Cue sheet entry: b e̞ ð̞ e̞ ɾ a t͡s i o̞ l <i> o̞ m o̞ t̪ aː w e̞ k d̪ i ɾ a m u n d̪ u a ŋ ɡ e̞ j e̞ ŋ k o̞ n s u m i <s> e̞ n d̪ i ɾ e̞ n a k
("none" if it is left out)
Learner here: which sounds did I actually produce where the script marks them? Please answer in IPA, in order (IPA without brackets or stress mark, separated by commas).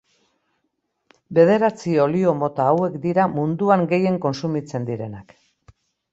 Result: i, t͡s